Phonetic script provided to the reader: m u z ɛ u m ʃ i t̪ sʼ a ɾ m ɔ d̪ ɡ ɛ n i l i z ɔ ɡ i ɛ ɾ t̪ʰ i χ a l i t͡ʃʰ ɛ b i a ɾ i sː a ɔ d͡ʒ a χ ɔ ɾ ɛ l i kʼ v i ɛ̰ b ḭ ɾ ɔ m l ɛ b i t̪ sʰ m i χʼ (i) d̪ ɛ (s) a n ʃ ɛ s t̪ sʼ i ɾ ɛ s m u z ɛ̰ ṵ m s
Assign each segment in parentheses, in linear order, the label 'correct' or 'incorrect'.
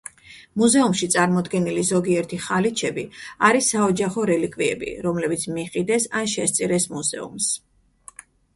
correct, correct

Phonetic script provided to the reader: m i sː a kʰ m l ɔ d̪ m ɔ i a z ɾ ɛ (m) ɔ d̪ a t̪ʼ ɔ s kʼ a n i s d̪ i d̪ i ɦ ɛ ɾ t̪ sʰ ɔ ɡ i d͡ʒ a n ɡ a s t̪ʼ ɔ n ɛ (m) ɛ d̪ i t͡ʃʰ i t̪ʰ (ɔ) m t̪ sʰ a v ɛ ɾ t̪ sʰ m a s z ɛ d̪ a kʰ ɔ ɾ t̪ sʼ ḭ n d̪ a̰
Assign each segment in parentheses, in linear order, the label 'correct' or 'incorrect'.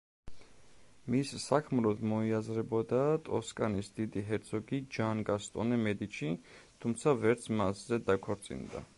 incorrect: b, correct, incorrect: u

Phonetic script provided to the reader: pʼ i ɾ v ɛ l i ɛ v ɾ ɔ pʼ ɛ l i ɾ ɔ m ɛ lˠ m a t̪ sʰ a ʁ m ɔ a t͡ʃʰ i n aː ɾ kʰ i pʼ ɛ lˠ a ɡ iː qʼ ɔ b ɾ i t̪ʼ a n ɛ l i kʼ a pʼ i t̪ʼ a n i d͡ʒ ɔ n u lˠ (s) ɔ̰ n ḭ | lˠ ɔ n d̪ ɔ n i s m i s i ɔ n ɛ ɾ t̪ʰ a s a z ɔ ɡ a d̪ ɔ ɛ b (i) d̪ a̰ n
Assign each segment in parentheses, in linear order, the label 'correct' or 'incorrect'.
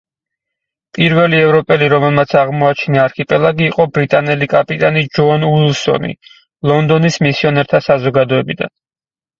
correct, correct

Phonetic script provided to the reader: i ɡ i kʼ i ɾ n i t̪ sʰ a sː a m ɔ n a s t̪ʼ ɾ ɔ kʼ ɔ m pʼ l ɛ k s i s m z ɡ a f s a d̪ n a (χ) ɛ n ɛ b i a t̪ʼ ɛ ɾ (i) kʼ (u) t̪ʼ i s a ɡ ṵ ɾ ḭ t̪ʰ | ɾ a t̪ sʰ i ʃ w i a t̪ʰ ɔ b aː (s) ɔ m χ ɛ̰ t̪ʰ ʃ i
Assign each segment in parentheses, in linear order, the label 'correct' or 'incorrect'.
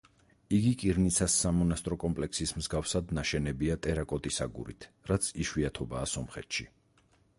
incorrect: ʃ, incorrect: a, incorrect: ɔ, correct

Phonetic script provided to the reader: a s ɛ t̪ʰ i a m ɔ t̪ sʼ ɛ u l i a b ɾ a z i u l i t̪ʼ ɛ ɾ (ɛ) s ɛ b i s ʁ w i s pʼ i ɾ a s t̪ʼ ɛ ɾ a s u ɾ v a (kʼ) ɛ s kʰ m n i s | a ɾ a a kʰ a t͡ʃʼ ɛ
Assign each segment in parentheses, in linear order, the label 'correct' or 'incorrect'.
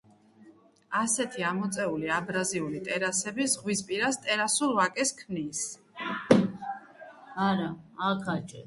incorrect: a, correct

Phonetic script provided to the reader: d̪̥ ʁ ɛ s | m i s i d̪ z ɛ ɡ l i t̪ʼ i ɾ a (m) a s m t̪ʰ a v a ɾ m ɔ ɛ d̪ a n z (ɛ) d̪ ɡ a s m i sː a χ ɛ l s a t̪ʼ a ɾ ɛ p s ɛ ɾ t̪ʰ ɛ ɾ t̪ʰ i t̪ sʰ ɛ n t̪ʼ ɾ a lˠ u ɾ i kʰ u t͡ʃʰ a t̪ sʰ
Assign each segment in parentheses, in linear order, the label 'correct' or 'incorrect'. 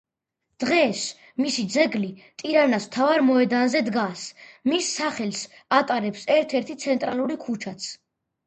incorrect: n, correct

